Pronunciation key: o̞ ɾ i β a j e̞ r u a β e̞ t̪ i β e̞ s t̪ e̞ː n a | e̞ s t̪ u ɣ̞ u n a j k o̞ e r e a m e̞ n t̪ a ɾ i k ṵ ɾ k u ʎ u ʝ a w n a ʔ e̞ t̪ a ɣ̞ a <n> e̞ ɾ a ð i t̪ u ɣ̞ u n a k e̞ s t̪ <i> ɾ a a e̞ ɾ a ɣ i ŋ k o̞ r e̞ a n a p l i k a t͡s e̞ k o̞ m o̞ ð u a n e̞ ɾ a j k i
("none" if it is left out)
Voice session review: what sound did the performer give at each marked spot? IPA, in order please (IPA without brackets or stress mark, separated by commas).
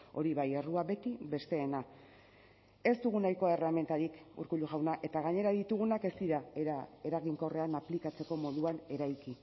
ɲ, i